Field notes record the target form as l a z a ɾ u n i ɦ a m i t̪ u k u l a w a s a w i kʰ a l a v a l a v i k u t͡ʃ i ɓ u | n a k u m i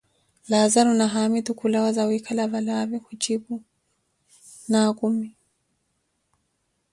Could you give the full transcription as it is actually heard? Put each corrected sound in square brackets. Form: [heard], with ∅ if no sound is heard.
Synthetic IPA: l a z a ɾ u n [a] ɦ a m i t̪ u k u l a w a [z] a w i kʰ a l a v a l a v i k u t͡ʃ i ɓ u | n a k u m i